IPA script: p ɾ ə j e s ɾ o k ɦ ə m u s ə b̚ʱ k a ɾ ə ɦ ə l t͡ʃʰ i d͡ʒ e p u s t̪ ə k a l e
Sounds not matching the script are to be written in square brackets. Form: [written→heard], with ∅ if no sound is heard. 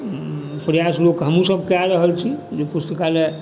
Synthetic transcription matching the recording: p ɾ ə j [e→a] s [ɾ→l] o k ɦ ə m u s ə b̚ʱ k a ɾ ə ɦ ə l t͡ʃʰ i d͡ʒ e p u s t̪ ə k a l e